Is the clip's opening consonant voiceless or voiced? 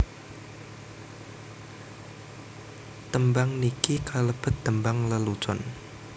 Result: voiceless